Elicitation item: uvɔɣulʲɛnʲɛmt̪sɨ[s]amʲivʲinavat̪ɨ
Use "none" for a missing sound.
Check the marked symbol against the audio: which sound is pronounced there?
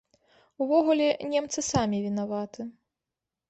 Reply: s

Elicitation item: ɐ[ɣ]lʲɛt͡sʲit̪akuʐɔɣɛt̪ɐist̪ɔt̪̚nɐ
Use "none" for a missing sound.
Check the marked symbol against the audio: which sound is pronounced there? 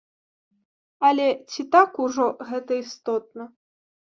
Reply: none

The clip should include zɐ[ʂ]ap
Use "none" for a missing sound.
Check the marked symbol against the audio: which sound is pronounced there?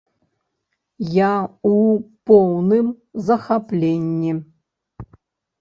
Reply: x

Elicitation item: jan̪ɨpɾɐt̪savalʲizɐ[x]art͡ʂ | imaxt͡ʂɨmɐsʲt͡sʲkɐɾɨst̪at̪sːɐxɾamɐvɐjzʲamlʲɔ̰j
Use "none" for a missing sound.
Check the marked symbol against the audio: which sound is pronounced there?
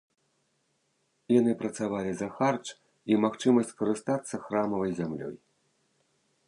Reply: x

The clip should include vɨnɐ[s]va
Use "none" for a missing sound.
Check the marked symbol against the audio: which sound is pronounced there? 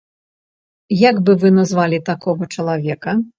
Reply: z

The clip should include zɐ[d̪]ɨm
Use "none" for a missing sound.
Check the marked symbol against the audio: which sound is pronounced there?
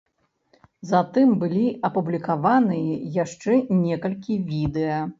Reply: t̪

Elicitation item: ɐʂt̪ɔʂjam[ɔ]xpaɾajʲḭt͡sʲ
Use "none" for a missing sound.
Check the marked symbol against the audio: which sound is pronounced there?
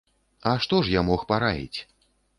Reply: ɔ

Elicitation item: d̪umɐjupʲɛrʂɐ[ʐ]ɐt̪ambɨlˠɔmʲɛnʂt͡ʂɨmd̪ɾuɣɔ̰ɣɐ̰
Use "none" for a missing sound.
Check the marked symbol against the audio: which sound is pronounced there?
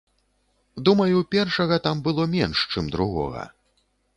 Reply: ɣ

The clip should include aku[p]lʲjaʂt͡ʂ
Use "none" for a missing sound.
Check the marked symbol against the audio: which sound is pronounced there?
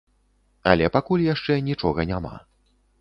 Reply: none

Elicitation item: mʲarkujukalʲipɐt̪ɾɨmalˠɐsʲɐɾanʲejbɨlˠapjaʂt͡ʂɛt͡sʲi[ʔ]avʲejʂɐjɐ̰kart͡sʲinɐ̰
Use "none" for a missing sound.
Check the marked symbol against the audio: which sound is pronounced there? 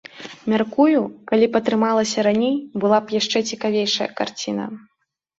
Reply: k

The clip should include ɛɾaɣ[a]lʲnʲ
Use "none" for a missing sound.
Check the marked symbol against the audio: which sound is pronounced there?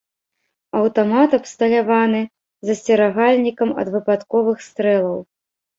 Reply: a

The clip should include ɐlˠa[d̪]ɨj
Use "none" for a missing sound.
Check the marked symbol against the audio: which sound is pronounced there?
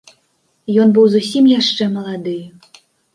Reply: d̪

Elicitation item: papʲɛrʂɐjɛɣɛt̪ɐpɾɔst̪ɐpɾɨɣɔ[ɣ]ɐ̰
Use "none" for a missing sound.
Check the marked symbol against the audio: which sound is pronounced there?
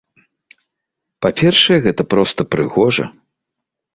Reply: ʐ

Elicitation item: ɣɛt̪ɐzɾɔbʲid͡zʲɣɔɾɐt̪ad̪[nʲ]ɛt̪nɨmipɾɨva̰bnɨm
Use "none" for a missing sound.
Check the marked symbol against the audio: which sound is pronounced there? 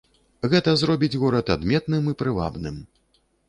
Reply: mʲ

